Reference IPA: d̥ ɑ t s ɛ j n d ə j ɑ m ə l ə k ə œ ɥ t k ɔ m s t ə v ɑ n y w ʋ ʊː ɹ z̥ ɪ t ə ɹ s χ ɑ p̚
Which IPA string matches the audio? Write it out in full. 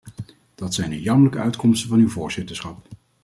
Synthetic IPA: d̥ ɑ t s ɛ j n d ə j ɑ m ə l ə k ə œ ɥ t k ɔ m s t ə v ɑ n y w v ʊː ɹ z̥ ɪ t ə ɹ s χ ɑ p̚